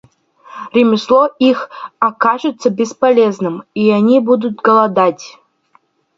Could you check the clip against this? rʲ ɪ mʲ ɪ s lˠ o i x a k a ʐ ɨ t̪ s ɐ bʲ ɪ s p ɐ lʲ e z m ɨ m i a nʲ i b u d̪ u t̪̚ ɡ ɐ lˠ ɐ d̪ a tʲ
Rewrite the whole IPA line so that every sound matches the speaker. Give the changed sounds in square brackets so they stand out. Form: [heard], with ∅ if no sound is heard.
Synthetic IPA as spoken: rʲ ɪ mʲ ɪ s lˠ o i x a k a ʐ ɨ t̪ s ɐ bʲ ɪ s p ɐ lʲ e z [n] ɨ m i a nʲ i b u d̪ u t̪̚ ɡ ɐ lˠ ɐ d̪ a tʲ